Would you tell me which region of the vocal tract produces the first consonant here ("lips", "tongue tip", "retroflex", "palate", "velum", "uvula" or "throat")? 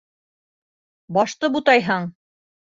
lips